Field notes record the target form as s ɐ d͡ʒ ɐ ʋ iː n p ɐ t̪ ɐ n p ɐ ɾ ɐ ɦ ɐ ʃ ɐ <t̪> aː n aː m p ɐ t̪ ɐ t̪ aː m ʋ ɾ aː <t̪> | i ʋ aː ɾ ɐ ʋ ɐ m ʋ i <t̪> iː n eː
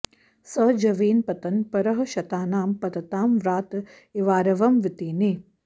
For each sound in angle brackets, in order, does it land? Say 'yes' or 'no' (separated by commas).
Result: yes, yes, yes